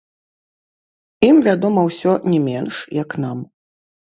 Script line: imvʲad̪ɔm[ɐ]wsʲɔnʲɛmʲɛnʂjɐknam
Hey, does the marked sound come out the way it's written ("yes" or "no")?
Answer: yes